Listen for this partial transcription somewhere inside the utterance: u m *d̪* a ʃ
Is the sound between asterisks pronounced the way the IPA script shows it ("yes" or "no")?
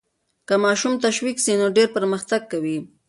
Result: no